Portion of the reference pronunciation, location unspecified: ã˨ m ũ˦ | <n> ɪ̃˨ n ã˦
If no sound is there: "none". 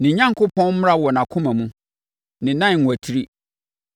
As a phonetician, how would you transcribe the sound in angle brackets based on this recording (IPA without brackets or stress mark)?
n